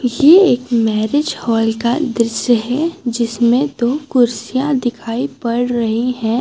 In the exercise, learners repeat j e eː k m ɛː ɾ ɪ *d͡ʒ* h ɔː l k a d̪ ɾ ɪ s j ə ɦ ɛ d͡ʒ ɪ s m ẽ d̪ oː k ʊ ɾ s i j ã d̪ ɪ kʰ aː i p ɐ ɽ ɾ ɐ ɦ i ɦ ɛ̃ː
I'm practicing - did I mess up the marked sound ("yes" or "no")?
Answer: no